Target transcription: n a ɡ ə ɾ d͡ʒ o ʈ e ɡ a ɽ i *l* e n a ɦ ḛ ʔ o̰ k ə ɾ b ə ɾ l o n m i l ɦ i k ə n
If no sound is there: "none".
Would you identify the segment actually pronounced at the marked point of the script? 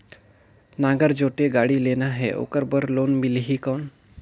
l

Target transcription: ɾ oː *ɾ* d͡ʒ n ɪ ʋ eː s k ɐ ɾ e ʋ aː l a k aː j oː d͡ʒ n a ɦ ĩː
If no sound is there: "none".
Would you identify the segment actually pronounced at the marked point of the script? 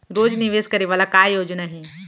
none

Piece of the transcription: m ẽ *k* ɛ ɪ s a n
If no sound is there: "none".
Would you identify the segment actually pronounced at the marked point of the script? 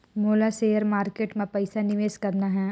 p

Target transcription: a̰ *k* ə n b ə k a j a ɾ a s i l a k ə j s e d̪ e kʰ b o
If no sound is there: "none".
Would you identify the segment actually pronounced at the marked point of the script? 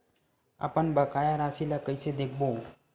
p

